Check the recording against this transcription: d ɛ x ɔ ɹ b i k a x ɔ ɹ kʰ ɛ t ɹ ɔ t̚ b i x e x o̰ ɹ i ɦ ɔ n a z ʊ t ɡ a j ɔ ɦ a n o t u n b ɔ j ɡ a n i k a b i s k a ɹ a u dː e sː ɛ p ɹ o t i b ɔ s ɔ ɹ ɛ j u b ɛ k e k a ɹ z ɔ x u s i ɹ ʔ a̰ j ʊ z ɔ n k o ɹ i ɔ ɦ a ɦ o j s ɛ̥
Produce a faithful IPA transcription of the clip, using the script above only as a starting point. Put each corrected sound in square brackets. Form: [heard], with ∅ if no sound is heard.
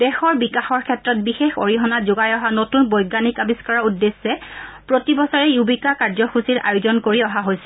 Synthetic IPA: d ɛ x ɔ ɹ b i k a x ɔ ɹ kʰ ɛ t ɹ ɔ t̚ b i x e x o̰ ɹ i ɦ ɔ n a z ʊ [∅] ɡ a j ɔ ɦ a n o t u n b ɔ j ɡ a n i k a b i s k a ɹ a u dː e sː ɛ p ɹ o t i b ɔ s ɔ ɹ ɛ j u b [i] k [a] k a ɹ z ɔ x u s i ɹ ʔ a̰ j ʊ z ɔ n k o ɹ i ɔ ɦ a ɦ o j s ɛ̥